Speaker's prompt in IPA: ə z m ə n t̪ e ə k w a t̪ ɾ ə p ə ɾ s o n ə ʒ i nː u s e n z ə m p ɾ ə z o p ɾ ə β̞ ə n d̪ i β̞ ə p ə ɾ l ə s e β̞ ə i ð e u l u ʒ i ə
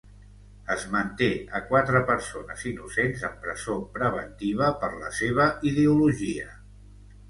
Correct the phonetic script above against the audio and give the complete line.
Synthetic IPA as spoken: ə z m ə n t̪ e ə k w a t̪ ɾ ə p ə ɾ s o n ə z i n u s e n z ə m p ɾ ə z o p ɾ ə β̞ ə n t̪ i β̞ ə p ə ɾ l ə s e β̞ ə i ð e u l u ʒ i ə

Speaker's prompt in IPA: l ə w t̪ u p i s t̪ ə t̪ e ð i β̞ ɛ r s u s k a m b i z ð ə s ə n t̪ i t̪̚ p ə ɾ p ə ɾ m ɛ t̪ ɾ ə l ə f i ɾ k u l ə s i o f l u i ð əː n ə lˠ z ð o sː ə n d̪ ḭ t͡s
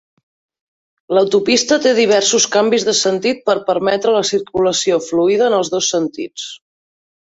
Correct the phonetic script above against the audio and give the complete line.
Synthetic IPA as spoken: l ə w t̪ u p i s t̪ ə t̪ e ð i β̞ ɛ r s u s k a m b i z ð ə s ə n t̪ i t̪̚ p ə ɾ p ə ɾ m ɛ t̪ ɾ ə l ə s i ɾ k u l ə s i o f l u i ð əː n ə lˠ z ð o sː ə n t̪ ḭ t͡s

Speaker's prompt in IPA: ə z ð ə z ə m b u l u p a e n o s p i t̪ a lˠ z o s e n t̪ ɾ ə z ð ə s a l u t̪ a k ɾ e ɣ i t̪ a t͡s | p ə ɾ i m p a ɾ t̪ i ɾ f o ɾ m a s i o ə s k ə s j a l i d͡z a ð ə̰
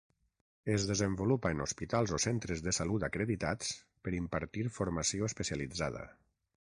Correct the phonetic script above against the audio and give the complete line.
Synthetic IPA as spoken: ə z ð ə z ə m b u l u p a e n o s p i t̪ a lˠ z o s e n t̪ ɾ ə z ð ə s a l u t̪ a k ɾ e ð i t̪ a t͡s | p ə ɾ i m p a ɾ t̪ i ɾ f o ɾ m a s i o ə s p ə s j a l i d͡z a ð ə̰

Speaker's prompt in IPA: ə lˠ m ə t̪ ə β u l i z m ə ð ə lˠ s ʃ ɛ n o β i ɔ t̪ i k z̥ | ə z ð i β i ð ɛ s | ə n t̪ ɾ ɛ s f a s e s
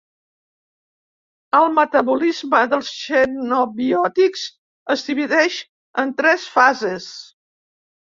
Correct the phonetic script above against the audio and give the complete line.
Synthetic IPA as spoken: ə lˠ m ə t̪ ə β u l i z m ə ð ə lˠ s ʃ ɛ n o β i ɔ t̪ i k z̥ | ə z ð i β i ð ɛ ʃ | ə n t̪ ɾ ɛ s f a z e s

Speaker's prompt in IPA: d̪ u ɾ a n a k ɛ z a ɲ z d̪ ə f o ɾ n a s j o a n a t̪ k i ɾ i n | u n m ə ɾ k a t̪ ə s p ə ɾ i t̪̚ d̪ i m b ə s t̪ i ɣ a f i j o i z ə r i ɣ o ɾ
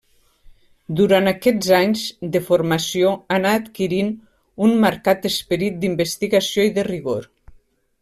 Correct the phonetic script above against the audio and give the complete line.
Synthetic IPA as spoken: d̪ u ɾ a n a k ɛ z a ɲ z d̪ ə f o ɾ m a s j o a n a t̪ k i ɾ i n | u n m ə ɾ k a t̪ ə s p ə ɾ i t̪̚ d̪ i m b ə s t̪ i ɣ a s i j o i ð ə r i ɣ o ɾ

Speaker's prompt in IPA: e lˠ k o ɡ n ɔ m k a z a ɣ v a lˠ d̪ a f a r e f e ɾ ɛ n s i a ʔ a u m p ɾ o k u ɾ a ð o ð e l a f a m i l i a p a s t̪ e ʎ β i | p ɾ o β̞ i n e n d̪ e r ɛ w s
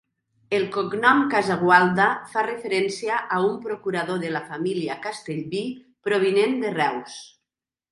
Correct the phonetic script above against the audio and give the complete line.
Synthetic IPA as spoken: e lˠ k o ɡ n ɔ m k a z a ɣ w a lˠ d̪ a f a r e f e ɾ ɛ n s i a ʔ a u m p ɾ o k u ɾ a ð o ð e l a f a m i l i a k a s t̪ e ʎ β i | p ɾ o β̞ i n e n d̪ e r ɛ w s

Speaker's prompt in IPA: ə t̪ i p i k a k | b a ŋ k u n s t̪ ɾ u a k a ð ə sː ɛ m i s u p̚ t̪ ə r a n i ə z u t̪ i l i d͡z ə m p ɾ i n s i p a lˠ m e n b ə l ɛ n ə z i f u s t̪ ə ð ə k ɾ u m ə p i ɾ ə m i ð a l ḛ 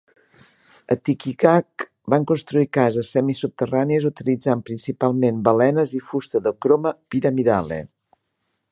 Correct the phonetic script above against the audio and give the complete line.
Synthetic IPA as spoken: ə t̪ i k i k a k | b a ŋ k u n s t̪ ɾ u i k a z ə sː ɛ m i s u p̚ t̪ ə r a n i ə z u t̪ i l i d͡z a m p ɾ i n s i p a lˠ m e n b ə l ɛ n ə z i f u s t̪ ə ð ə k ɾ o m ə p i ɾ ə m i ð a l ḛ

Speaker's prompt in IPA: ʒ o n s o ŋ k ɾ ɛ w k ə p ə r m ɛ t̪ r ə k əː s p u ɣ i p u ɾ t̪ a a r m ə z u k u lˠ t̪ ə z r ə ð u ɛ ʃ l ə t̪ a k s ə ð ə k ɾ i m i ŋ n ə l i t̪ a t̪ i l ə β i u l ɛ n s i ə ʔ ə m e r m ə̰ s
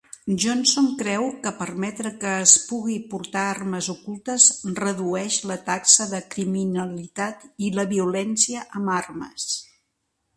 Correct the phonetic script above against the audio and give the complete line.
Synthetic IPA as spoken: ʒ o n s o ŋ k ɾ ɛ w k ə p ə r m ɛ t̪ ɾ ə k əː s p u ɣ i p u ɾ t̪ a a r m ə z u k u lˠ t̪ ə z r ə ð u ɛ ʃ l ə t̪ a k s ə ð ə k ɾ i m i n ə l i t̪ a t̪ i l ə β i u l ɛ n s i ə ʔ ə m a r m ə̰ s

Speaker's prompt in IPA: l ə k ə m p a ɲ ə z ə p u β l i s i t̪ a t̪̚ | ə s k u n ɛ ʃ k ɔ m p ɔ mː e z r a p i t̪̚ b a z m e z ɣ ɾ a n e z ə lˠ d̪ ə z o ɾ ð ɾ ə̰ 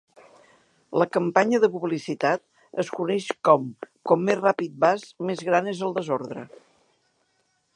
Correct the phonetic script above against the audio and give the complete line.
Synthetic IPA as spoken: l ə k ə m p a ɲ ə ð ə p u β l i s i t̪ a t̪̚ | ə s k u n ɛ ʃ k ɔ m k ɔ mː e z r a p i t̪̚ b a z m e z ɣ ɾ a n e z ə lˠ d̪ ə z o ɾ ð ɾ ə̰

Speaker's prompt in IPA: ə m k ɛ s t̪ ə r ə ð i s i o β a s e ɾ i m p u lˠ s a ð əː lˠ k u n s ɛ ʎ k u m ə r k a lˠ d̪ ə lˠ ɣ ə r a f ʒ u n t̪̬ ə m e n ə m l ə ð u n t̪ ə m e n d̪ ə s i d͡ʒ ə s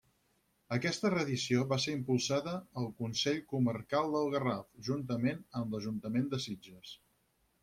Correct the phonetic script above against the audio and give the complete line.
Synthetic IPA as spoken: ə k ɛ s t̪ ə r ə ð i s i o β a s e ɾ i m p u lˠ s a ð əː lˠ k u n s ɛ ʎ k u m ə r k a lˠ d̪ ə lˠ ɣ ə r a f ʒ u n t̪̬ ə m e n ə m l ə ʒ u n t̪ ə m e n d̪ ə s i d͡ʒ ə s

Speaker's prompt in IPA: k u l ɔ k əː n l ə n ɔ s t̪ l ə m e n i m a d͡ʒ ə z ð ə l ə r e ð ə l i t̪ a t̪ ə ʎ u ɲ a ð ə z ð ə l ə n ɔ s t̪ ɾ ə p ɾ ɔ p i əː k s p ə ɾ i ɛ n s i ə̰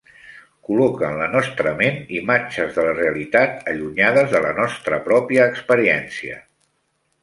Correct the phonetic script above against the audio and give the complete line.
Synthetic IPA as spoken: k u l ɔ k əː n l ə n ɔ s t̪ ɾ ə m e n i m a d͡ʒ ə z ð ə l ə r e ə l i t̪ a t̪ ə ʎ u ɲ a ð ə z ð ə l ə n ɔ s t̪ ɾ ə p ɾ ɔ p i əː k s p ə ɾ i ɛ n s i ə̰

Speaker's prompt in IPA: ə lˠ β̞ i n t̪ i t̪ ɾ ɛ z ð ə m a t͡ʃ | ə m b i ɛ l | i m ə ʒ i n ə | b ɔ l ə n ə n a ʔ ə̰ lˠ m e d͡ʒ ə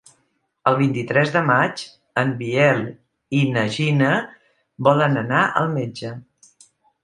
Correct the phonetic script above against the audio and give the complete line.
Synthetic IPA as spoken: ə lˠ β̞ i n t̪ i t̪ ɾ ɛ z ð ə m a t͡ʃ | ə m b i ɛ l | i n ə ʒ i n ə | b ɔ l ə n ə n a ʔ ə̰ lˠ m e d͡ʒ ə

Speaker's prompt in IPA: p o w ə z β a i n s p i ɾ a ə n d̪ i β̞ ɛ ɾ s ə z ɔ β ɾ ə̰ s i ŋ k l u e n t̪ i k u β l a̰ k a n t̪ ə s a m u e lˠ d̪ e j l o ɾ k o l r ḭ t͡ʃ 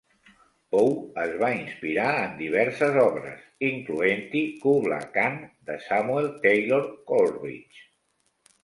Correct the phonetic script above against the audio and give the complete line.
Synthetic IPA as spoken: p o w ə z β a i n s p i ɾ a ə n d̪ i β̞ ɛ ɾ s ə z ɔ β ɾ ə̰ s i ŋ k l u e n t̪ i k u β l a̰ k a n d̪ ə s a m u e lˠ t̪ e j l o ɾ k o l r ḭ t͡ʃ

